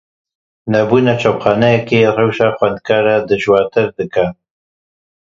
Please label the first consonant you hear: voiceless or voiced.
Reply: voiced